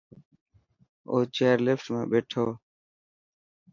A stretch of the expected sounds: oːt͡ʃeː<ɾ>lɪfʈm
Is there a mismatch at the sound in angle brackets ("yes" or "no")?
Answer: no